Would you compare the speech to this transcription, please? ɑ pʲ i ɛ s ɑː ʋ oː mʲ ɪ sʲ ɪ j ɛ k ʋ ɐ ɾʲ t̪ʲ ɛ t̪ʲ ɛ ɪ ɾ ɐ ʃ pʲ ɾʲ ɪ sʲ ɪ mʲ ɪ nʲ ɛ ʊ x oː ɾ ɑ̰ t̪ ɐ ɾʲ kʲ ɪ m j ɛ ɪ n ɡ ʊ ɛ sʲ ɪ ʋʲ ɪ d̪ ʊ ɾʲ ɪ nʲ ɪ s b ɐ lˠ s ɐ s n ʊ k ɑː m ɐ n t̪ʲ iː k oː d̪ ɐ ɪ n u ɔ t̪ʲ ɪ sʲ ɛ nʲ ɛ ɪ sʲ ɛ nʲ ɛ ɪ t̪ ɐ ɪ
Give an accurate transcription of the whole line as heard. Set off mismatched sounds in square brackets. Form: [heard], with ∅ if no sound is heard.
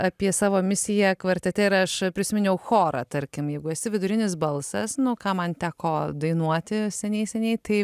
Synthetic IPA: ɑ pʲ i ɛ s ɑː ʋ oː mʲ ɪ sʲ ɪ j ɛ k ʋ ɐ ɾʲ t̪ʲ ɛ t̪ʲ ɛ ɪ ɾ ɐ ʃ pʲ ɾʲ ɪ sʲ ɪ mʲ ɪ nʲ ɛ ʊ x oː ɾ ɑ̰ t̪ ɐ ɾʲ kʲ ɪ m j ɛ ɪ [∅] ɡ ʊ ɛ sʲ ɪ ʋʲ ɪ d̪ ʊ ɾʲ ɪ nʲ ɪ s b ɐ lˠ s ɐ s n ʊ k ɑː m ɐ n t̪ʲ [æː] k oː d̪ ɐ ɪ n u ɔ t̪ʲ ɪ sʲ ɛ nʲ ɛ ɪ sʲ ɛ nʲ ɛ ɪ t̪ ɐ ɪ

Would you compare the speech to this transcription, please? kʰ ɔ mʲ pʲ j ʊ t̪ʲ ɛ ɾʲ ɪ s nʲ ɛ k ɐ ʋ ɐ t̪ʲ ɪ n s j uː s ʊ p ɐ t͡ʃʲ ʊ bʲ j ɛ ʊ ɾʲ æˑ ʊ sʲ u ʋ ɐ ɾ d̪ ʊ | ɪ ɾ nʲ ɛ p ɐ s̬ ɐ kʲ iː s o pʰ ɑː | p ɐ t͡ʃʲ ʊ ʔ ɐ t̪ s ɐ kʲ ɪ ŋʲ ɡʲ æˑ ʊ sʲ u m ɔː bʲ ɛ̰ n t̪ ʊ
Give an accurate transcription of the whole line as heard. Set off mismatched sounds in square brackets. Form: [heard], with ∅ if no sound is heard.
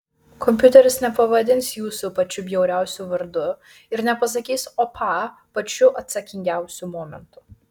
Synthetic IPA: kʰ ɔ mʲ pʲ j ʊ t̪ʲ ɛ ɾʲ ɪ s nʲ ɛ [p] ɐ ʋ ɐ [d̪ʲ] ɪ n s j uː s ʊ p ɐ t͡ʃʲ ʊ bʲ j ɛ ʊ ɾʲ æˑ ʊ sʲ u ʋ ɐ ɾ d̪ ʊ | ɪ ɾ nʲ ɛ p ɐ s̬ ɐ kʲ iː s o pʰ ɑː | p ɐ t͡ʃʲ ʊ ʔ ɐ t̪ s ɐ kʲ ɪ ŋʲ ɡʲ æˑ ʊ sʲ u m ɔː [mʲ] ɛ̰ n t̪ ʊ

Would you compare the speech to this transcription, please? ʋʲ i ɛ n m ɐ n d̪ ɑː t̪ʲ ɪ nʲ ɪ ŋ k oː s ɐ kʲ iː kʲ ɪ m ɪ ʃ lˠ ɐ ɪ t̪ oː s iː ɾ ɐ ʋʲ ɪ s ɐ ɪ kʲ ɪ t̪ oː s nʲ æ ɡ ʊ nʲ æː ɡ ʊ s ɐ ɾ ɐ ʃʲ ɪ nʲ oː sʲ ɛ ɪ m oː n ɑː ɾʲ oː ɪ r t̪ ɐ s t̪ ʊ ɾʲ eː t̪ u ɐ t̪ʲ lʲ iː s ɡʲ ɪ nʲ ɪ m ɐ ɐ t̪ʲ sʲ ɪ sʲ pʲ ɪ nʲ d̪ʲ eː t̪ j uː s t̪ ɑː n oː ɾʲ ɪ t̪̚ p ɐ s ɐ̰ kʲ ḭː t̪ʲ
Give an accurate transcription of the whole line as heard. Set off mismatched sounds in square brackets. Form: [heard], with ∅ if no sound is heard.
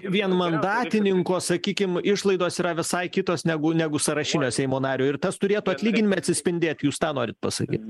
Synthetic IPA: ʋʲ i ɛ n m ɐ n d̪ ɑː t̪ʲ ɪ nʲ ɪ ŋ k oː s ɐ kʲ iː kʲ ɪ m ɪ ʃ lˠ ɐ ɪ [d̪] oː s iː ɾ ɐ ʋʲ ɪ s ɐ ɪ kʲ ɪ t̪ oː s nʲ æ ɡ ʊ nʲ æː ɡ ʊ s ɐ ɾ ɐ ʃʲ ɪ nʲ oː sʲ ɛ ɪ m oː n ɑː ɾʲ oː ɪ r t̪ ɐ s t̪ ʊ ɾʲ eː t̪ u ɐ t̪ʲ lʲ iː [∅] ɡʲ ɪ nʲ ɪ m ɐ ɐ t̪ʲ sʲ ɪ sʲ pʲ ɪ nʲ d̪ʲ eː t̪ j uː s t̪ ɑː n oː ɾʲ ɪ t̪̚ p ɐ s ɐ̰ kʲ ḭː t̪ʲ

